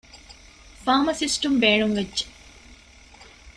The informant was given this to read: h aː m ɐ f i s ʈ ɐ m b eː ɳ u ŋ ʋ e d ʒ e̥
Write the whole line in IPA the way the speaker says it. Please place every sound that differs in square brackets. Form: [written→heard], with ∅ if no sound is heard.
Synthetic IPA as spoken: [h→f] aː m ɐ [f→s] i s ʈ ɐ m b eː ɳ u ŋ ʋ e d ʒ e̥